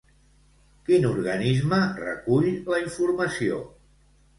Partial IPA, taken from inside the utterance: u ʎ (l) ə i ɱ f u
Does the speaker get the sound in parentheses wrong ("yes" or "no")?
no